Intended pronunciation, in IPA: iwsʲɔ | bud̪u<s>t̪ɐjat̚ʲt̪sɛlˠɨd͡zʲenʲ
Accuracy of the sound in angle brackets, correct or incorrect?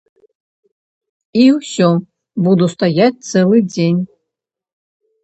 correct